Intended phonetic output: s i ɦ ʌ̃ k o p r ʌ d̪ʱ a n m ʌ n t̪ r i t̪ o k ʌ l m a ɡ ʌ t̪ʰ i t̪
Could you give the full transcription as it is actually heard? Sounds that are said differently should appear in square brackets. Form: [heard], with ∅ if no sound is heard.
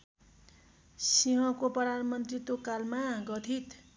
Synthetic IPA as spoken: s i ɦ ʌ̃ k o p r ʌ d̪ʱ a n m ʌ n t̪ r i t̪ o k [a] l m a ɡ ʌ t̪ʰ i t̪